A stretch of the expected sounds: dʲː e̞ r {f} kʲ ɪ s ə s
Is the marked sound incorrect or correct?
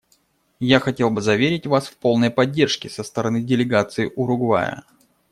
incorrect